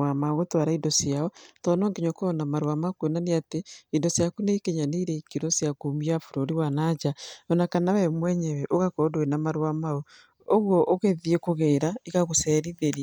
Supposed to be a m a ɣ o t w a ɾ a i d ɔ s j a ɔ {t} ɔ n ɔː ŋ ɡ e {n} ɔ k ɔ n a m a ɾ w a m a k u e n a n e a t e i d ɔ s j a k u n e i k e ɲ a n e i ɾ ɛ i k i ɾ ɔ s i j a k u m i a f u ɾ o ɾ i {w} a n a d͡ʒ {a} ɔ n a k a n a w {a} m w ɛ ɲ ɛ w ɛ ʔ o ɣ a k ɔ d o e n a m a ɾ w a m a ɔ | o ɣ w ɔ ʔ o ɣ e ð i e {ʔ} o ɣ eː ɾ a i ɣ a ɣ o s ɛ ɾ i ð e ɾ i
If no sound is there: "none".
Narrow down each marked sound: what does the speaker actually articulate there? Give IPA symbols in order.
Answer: t, ɲ, w, a, ɛ, k

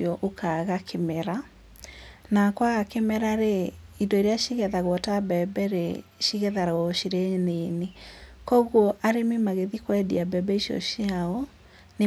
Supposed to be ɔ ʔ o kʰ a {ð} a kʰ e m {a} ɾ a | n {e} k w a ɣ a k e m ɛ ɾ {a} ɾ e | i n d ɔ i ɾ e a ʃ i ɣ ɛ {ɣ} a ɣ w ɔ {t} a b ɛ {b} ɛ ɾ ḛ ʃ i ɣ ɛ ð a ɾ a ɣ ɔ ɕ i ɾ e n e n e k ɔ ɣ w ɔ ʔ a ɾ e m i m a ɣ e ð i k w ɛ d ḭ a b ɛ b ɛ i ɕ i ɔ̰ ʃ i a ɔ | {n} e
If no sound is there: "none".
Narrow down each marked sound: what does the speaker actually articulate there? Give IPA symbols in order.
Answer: ɣ, ɛ, a, a, ð, t, b, n

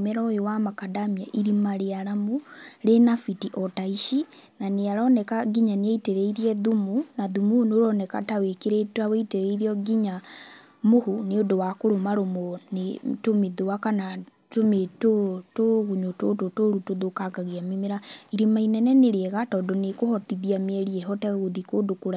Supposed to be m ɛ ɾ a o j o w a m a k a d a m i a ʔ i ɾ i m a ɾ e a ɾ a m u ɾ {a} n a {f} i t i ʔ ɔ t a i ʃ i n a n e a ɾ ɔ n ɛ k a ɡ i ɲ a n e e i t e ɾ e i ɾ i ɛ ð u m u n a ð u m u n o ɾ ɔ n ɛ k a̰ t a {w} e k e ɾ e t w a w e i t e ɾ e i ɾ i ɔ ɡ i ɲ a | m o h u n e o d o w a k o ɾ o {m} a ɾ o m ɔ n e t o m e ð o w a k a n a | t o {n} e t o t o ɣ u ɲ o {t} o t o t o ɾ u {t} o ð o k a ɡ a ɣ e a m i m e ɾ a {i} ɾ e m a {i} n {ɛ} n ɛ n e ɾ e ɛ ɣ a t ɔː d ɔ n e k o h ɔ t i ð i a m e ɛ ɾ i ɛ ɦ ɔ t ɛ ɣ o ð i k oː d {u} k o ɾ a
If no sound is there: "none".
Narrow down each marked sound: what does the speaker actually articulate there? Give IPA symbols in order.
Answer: e, f, w, m, m, t, t, i, i, ɛ, o

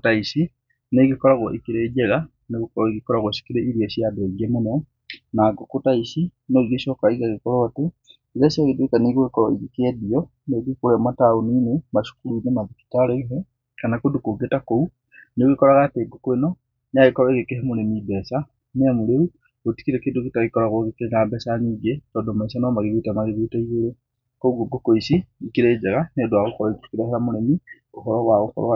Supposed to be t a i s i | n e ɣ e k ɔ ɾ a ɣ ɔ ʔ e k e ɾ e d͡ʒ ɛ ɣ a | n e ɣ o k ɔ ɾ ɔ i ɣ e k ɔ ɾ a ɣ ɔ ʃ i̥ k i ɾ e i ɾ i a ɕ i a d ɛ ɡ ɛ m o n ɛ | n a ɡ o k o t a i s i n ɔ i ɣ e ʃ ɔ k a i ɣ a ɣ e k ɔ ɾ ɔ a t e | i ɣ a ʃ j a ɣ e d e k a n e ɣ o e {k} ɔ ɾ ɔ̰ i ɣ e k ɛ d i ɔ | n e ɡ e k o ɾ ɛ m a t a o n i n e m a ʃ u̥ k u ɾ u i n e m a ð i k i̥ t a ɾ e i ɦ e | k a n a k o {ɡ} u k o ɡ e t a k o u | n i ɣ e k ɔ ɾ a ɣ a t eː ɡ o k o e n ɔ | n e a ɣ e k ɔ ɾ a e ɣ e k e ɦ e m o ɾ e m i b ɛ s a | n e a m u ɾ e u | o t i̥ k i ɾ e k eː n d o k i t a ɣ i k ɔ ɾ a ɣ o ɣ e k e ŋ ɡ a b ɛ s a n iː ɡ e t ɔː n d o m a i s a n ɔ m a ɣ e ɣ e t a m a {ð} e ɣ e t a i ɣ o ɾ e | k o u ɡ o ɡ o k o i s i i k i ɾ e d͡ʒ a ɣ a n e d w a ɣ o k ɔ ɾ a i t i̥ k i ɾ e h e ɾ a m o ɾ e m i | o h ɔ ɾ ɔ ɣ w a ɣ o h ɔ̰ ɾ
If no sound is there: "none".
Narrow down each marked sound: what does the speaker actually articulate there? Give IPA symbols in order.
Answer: k, d, ɣ

